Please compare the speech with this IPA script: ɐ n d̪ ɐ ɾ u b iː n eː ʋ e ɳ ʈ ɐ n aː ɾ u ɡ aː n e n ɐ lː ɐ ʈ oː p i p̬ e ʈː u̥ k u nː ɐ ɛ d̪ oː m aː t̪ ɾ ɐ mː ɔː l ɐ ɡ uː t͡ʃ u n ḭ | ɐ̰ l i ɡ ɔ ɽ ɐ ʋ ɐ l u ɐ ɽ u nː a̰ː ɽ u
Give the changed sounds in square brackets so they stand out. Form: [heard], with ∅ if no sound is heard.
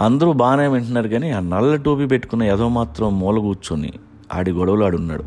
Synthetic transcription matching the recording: ɐ n d̪ ɐ ɾ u b [aː] n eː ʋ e ɳ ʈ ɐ n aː ɾ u ɡ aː n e n ɐ lː ɐ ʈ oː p i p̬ e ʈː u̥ k u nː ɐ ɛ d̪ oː m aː t̪ ɾ ɐ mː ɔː l ɐ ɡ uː t͡ʃ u n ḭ | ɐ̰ [ɽ] i ɡ ɔ ɽ ɐ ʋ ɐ l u ɐ ɽ u nː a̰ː ɽ u